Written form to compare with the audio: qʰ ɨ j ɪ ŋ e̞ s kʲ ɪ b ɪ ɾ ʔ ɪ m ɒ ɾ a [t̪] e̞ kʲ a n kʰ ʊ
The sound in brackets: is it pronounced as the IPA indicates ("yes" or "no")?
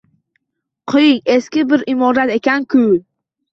yes